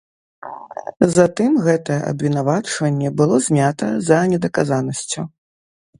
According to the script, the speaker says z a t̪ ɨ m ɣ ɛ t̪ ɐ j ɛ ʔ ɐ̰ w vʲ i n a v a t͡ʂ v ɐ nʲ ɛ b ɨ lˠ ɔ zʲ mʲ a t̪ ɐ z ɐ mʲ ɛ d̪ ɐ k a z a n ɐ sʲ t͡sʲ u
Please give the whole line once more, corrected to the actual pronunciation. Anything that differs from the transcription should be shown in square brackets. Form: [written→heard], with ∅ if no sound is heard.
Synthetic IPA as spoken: z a t̪ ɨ m ɣ ɛ t̪ ɐ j ɛ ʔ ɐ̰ [w→b] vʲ i n a v a t͡ʂ v ɐ [nʲ→nʲː] ɛ b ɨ lˠ ɔ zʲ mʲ a t̪ ɐ z ɐ [mʲ→nʲ] ɛ d̪ ɐ k a z a n ɐ sʲ t͡sʲ u

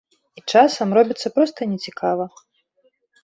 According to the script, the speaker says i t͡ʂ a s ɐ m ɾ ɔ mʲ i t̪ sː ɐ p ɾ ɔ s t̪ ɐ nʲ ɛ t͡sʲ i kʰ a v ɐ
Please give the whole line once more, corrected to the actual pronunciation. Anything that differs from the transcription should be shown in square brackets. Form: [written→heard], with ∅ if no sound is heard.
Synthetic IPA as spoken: i t͡ʂ a s ɐ m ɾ ɔ [mʲ→bʲ] i t̪ sː ɐ p ɾ ɔ s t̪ ɐ nʲ ɛ t͡sʲ i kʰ a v ɐ

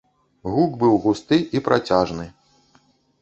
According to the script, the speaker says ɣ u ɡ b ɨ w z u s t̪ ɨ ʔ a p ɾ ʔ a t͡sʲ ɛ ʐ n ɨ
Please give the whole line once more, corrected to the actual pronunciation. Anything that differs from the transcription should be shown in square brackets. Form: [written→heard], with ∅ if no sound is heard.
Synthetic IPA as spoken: ɣ u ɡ b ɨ w [z→ɣ] u s t̪ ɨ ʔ [a→i] p ɾ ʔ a t͡sʲ [ɛ→a] ʐ n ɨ

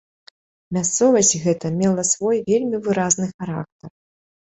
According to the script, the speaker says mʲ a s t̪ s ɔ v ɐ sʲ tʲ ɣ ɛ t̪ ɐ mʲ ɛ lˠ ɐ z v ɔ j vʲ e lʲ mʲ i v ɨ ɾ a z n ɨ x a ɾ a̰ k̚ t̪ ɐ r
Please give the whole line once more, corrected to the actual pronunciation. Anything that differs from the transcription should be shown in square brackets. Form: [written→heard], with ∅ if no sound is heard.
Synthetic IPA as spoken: mʲ a s t̪ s ɔ v ɐ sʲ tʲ ɣ ɛ t̪ ɐ mʲ ɛ lˠ ɐ [z→s] v ɔ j vʲ e lʲ mʲ i v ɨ ɾ a z n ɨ x a ɾ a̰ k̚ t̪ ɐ r

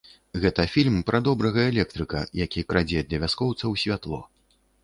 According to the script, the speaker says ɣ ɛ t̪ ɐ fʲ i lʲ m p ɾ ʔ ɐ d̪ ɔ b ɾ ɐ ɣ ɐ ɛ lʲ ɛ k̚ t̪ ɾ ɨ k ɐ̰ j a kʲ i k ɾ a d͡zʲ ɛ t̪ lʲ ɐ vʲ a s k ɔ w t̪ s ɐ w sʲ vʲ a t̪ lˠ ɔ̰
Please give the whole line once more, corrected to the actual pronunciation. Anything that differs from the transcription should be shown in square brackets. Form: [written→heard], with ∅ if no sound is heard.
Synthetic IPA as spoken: ɣ ɛ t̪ ɐ fʲ i lʲ m p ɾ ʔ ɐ d̪ ɔ b ɾ ɐ ɣ ɐ ɛ lʲ ɛ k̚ t̪ ɾ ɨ k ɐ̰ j a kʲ i k ɾ a d͡zʲ ɛ [t̪→d̪] lʲ ɐ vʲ a s k ɔ w t̪ s ɐ w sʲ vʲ a t̪ lˠ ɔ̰

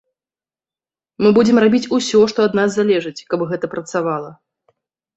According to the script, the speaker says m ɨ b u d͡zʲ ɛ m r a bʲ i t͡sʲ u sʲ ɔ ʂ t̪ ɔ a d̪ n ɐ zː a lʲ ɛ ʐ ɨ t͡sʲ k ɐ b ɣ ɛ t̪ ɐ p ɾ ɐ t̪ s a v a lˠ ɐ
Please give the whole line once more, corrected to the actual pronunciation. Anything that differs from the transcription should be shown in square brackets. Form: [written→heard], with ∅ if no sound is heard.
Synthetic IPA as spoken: m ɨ b u d͡zʲ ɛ m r a bʲ i t͡sʲ u sʲ ɔ ʂ t̪ ɔ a d̪ n [ɐ→a] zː a lʲ ɛ ʐ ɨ t͡sʲ k ɐ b ɣ ɛ t̪ ɐ p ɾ ɐ t̪ s a v a lˠ ɐ

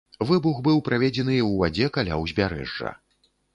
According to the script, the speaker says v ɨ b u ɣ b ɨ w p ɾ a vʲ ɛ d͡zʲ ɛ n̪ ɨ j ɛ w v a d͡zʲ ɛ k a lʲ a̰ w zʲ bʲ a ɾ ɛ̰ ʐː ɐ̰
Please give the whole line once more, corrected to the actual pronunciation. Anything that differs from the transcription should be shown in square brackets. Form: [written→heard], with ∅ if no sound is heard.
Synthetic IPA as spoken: v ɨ b u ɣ b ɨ w p ɾ a vʲ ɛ d͡zʲ ɛ n̪ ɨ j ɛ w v a d͡zʲ ɛ k a lʲ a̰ w zʲ bʲ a ɾ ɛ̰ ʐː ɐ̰

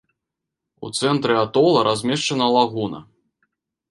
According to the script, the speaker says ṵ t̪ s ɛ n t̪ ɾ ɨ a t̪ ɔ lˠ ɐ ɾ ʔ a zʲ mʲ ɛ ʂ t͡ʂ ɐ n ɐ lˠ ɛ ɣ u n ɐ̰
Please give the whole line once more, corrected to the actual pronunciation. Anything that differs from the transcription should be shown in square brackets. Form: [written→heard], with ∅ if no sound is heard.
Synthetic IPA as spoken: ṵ t̪ s ɛ n t̪ ɾ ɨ a t̪ ɔ lˠ ɐ ɾ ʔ a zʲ mʲ ɛ ʂ t͡ʂ ɐ n ɐ lˠ [ɛ→a] ɣ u n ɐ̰

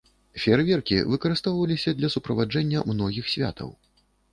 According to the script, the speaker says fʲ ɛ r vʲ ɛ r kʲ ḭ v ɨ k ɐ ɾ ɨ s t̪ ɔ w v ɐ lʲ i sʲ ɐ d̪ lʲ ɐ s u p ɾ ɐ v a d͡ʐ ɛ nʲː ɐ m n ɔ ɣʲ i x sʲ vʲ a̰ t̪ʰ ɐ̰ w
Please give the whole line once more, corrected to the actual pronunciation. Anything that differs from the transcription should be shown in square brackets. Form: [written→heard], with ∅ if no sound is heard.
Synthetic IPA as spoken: fʲ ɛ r vʲ ɛ r kʲ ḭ v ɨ k ɐ ɾ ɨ s t̪ ɔ w v ɐ lʲ i sʲ ɐ d̪ lʲ ɐ s u p ɾ ɐ v a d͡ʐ ɛ nʲː ɐ m n ɔ ɣʲ i x sʲ vʲ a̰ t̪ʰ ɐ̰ w

